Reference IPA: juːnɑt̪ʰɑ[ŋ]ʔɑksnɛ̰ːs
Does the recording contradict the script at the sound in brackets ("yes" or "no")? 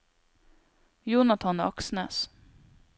yes